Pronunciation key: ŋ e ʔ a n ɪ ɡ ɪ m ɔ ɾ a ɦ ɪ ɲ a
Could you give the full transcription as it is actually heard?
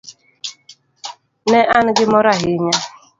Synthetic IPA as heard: n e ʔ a n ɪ ɡ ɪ m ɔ ɾ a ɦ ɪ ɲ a